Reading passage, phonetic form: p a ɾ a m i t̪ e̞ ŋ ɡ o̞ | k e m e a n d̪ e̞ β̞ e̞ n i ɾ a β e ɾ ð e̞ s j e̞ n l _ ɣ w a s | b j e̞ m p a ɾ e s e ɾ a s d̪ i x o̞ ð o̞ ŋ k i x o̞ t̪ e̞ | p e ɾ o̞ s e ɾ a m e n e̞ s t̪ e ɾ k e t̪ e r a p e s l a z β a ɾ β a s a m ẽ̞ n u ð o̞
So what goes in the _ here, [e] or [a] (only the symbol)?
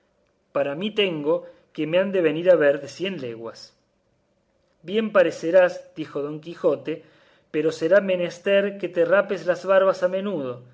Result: e